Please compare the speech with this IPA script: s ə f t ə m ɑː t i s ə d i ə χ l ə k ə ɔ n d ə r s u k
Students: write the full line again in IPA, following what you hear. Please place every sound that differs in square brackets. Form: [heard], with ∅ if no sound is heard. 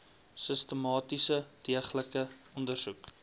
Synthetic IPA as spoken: s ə [s] t ə m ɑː t i s ə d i ə χ l ə k ə ɔ n d ə r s u k